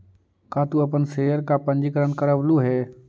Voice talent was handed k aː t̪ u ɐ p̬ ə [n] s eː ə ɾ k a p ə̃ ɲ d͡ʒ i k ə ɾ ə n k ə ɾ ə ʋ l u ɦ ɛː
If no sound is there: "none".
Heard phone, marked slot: n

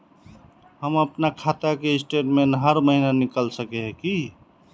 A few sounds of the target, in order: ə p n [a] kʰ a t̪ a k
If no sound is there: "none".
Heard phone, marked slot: a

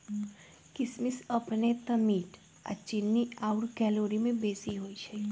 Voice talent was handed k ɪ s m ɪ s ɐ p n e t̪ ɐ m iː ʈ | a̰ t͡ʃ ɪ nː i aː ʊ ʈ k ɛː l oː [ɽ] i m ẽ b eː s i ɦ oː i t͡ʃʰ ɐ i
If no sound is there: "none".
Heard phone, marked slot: ɾ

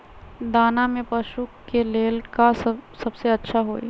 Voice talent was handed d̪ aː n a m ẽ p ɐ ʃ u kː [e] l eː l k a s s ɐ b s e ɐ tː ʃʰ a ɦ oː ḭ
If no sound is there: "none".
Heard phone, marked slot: e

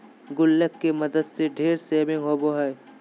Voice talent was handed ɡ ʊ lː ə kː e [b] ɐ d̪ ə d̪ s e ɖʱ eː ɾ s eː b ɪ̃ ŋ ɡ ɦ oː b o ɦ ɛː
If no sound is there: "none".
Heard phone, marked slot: m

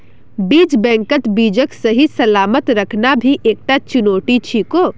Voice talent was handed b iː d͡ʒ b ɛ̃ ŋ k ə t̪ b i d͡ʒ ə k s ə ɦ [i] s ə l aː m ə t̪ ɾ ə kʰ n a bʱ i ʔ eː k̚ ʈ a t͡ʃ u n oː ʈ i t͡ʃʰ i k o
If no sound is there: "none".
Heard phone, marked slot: i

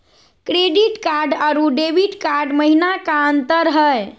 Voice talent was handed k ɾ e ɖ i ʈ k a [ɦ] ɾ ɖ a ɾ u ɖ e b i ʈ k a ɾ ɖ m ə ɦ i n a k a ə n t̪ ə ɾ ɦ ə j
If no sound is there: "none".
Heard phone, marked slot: none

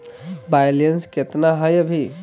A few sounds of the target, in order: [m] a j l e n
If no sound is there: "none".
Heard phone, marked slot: b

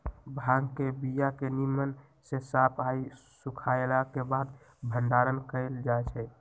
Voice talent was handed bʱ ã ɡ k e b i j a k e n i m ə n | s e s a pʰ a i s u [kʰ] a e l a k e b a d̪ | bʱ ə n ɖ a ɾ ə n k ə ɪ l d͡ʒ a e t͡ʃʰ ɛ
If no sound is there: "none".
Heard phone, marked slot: kʰ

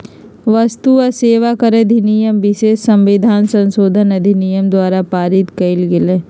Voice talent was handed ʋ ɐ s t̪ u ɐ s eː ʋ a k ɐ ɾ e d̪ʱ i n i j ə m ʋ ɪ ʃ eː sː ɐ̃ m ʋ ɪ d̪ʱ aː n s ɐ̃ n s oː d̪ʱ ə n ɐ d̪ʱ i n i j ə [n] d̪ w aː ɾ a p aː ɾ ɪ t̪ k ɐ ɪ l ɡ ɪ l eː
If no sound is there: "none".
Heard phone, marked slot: m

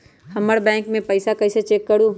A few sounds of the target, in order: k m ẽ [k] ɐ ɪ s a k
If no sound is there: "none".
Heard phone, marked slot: p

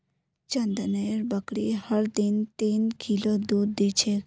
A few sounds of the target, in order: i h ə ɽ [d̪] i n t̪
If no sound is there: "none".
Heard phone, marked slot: d̪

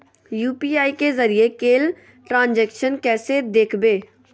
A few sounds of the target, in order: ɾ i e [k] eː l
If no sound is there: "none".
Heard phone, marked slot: k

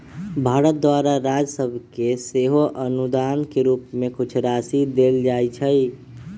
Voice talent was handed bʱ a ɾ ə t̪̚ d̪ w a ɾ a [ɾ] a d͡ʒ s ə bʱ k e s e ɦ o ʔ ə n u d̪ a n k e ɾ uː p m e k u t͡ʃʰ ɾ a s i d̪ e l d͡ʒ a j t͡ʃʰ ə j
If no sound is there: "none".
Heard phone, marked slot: ɾ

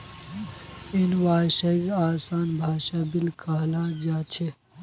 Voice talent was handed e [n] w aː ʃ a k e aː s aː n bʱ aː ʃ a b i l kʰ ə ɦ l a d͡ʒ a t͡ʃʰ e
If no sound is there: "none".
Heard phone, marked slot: n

